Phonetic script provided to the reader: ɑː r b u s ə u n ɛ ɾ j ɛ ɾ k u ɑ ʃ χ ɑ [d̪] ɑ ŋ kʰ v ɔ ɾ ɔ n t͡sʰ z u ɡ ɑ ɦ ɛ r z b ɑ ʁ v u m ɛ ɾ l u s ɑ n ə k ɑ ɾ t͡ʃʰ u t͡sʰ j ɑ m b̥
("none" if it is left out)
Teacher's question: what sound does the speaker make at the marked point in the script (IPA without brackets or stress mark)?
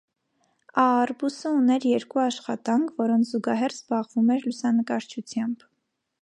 t̪